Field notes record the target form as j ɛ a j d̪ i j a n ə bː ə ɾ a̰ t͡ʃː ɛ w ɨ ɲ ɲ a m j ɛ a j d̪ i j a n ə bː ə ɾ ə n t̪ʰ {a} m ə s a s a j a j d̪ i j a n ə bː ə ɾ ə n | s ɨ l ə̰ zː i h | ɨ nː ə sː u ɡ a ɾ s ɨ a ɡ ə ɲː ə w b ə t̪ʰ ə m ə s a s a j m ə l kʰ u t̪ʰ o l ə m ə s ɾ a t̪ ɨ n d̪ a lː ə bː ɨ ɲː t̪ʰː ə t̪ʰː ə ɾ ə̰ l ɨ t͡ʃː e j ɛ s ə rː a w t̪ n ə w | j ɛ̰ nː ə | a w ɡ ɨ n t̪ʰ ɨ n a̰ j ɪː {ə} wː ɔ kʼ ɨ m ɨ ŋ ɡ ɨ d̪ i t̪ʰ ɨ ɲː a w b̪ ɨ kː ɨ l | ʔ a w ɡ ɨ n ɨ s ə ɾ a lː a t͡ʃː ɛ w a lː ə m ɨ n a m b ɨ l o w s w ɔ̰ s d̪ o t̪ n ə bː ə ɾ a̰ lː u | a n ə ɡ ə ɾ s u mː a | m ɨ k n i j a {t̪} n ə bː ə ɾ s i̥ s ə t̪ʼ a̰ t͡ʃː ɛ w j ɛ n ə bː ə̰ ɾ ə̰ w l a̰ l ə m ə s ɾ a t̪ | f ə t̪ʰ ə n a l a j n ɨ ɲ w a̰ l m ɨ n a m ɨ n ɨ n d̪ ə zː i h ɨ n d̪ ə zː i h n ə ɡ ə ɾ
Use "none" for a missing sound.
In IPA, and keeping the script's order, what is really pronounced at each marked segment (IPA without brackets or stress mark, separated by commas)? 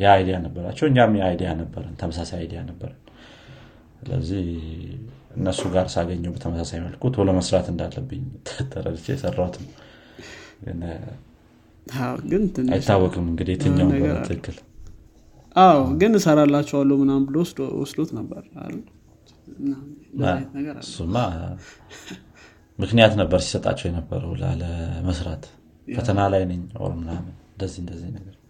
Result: ə, a, t̪